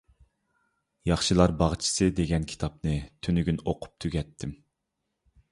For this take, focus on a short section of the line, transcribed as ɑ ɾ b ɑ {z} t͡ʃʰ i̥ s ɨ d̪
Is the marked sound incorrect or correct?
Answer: incorrect: ʁ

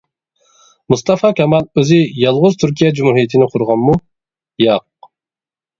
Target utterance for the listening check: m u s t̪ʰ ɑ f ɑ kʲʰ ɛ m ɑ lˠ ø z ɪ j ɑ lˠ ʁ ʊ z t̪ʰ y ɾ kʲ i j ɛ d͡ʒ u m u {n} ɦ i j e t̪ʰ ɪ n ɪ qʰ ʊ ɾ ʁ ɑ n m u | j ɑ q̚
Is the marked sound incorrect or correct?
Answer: incorrect: none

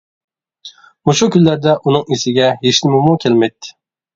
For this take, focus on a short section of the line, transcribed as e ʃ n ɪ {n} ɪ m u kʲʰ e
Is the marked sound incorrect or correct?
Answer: incorrect: m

